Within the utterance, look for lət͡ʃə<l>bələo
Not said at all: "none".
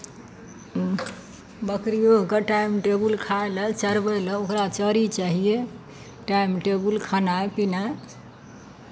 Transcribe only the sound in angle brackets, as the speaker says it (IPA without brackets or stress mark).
ɾ